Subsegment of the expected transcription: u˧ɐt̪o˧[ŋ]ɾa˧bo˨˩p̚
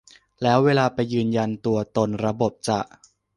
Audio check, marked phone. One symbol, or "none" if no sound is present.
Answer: n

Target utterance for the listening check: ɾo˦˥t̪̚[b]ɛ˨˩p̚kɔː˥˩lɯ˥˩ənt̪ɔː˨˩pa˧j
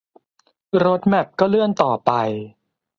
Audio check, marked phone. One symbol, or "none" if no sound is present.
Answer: m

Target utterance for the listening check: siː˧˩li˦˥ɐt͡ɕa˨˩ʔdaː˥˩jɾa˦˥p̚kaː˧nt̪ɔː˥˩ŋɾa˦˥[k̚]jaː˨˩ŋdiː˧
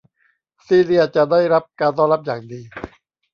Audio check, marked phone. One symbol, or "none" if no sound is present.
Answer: p̚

